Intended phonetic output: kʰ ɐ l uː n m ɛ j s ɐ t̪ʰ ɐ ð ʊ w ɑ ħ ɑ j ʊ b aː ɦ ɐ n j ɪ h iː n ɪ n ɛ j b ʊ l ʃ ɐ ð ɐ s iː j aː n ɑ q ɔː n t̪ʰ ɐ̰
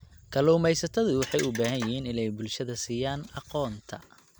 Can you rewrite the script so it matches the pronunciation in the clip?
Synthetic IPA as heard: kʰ ɐ l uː m ɛ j s ɐ t̪ʰ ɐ ð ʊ w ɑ ħ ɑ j ʊ b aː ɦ ɐ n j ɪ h iː n ɪ n ɛ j b ʊ l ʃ ɐ ð ɐ s iː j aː n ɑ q ɔː n t̪ʰ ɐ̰